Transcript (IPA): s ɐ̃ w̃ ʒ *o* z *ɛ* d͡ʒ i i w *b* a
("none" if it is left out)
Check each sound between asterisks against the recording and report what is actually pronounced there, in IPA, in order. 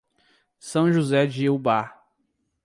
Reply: u, ɛ, b

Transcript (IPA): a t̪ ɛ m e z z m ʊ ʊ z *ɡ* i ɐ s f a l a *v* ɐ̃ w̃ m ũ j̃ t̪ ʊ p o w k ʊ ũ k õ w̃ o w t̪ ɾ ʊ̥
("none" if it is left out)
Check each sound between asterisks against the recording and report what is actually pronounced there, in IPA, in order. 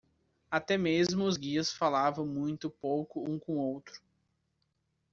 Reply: ɡ, v

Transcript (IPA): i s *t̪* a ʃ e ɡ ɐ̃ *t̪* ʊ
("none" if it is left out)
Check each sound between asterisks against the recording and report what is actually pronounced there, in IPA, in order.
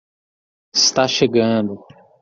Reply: t̪, d̪

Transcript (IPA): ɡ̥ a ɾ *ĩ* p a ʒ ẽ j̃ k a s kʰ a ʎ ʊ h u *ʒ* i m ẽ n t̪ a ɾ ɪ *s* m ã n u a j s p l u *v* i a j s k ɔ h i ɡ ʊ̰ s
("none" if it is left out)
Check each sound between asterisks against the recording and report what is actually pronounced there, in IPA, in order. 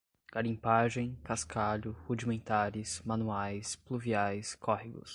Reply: ĩ, d͡ʒ, s, v

